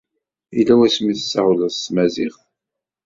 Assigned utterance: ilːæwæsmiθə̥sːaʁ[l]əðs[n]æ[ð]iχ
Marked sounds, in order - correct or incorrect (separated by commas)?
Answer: correct, incorrect, incorrect